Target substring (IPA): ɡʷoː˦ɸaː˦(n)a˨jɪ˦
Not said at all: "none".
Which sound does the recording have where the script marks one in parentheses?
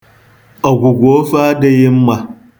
d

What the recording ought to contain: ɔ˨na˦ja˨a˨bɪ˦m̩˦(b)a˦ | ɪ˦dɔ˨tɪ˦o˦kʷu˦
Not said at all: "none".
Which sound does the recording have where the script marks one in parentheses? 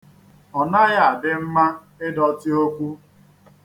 m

